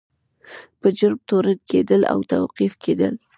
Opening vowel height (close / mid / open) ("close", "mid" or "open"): mid